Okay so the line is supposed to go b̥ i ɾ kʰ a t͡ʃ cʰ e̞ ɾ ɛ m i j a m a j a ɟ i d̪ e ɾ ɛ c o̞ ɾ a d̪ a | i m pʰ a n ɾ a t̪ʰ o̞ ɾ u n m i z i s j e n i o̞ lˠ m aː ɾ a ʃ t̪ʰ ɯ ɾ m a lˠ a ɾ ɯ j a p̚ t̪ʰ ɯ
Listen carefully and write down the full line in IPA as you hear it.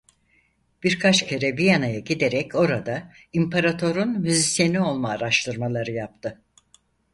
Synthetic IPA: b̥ i ɾ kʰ a t͡ʃ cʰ e̞ ɾ ɛ b i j a n a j a ɟ i d̪ e ɾ ɛ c o̞ ɾ a d̪ a | i m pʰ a ɾ a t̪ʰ o̞ ɾ u n m y z i s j e n i o̞ lˠ m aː ɾ a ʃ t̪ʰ ɯ ɾ m a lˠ a ɾ ɯ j a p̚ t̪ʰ ɯ